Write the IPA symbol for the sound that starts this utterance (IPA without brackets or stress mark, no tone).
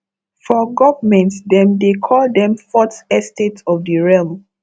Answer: f